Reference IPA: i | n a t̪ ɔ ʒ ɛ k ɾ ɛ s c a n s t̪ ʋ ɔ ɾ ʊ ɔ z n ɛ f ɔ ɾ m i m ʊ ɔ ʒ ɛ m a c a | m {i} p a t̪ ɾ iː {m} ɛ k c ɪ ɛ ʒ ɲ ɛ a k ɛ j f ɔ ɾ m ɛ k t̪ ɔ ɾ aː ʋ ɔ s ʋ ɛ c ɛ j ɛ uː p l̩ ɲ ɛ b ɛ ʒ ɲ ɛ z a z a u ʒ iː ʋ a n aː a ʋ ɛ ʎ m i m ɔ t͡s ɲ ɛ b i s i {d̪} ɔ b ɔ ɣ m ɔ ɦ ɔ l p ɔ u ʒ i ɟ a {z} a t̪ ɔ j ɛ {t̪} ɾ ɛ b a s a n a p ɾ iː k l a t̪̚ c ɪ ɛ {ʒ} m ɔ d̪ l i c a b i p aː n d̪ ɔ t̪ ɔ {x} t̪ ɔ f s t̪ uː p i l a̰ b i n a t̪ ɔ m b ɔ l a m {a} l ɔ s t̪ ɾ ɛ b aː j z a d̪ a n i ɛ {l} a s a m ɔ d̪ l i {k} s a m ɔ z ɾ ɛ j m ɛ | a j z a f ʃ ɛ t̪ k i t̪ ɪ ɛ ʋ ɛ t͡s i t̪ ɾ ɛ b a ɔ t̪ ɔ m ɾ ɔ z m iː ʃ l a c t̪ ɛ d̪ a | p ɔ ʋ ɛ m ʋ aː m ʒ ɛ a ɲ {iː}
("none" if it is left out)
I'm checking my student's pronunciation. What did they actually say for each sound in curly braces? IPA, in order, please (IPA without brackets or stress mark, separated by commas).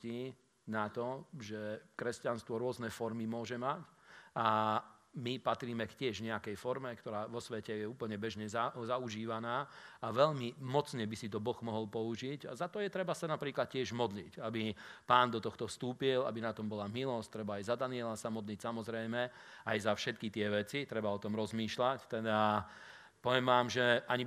i, m, t̪, z, t̪, ʒ, x, i, l, c, i